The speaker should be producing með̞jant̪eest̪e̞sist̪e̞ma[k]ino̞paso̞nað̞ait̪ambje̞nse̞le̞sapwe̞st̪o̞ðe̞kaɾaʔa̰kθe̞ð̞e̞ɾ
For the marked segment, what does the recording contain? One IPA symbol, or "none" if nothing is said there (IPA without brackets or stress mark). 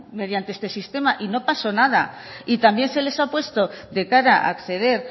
ʔ